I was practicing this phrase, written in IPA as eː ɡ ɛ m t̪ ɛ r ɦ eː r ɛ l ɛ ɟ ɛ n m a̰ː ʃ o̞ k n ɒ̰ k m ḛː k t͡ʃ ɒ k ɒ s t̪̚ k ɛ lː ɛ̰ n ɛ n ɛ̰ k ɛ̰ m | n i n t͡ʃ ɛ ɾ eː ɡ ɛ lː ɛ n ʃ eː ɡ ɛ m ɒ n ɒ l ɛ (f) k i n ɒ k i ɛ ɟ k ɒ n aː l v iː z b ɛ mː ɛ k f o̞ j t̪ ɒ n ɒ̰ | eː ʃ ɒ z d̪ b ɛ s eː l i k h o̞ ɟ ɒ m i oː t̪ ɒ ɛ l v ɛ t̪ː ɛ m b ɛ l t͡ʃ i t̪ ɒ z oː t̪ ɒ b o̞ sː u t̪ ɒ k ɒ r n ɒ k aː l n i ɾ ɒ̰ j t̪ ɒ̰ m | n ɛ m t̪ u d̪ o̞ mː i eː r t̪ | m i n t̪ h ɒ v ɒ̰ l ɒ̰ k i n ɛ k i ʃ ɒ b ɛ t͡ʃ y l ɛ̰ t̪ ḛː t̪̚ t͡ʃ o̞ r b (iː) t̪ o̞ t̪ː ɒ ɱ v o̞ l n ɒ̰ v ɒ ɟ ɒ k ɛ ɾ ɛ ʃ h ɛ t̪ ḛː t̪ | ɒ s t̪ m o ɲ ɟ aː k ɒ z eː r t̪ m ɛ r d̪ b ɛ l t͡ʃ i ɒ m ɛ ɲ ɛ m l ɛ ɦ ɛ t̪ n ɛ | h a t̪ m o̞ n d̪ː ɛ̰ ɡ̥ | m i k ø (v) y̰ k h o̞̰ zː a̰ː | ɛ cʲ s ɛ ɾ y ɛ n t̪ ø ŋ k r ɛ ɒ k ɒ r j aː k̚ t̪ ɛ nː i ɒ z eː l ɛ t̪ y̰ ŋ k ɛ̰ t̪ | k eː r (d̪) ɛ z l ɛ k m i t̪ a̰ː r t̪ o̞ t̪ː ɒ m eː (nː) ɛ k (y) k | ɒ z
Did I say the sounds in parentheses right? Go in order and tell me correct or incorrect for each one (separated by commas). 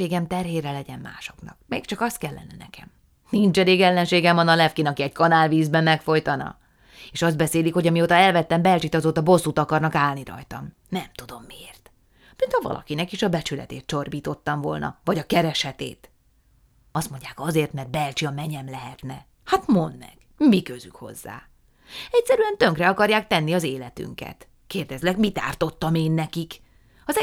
correct, correct, incorrect, correct, correct, incorrect